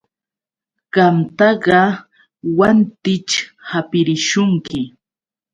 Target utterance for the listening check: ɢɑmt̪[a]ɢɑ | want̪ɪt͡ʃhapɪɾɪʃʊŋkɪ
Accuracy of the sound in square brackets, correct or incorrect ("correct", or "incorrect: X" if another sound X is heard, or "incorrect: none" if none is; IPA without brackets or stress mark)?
incorrect: ɑ